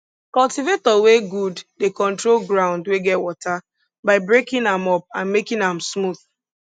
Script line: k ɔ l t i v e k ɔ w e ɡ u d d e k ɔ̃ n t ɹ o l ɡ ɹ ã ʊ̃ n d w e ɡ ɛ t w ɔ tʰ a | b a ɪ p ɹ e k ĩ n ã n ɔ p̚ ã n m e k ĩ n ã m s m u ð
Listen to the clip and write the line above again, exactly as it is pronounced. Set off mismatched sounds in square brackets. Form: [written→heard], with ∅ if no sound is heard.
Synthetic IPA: k ɔ l t i v e [k→t] ɔ w e ɡ u d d e k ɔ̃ n t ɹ o l ɡ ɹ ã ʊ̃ n d w e ɡ ɛ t w ɔ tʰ a | b a ɪ [p→b] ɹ e k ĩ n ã [n→m] ɔ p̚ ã n m e k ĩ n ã m s m u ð